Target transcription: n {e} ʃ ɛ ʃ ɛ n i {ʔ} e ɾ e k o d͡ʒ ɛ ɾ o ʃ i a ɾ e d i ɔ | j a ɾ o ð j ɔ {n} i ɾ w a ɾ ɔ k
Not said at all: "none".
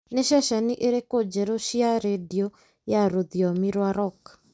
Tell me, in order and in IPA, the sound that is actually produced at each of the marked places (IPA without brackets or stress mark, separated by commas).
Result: e, ʔ, m